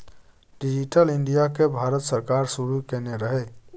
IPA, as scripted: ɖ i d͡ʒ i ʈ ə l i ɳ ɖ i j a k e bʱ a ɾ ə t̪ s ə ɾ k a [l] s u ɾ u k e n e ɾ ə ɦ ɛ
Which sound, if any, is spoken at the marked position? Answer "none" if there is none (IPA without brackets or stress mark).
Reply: ɾ